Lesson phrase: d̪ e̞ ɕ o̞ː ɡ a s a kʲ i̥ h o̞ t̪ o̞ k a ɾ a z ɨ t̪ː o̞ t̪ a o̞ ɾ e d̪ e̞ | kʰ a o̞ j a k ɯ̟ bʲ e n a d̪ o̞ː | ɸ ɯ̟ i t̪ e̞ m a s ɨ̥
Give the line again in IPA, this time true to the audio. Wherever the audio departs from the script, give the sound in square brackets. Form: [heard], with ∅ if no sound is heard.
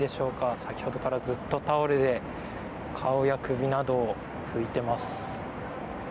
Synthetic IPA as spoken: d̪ e̞ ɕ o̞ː [k] a s a kʲ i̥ h o̞ [d̪] o̞ k a ɾ a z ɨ t̪ː o̞ t̪ a o̞ ɾ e d̪ e̞ | kʰ a o̞ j a k ɯ̟ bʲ [i] n a d̪ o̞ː | ɸ ɯ̟ i t̪ e̞ m a s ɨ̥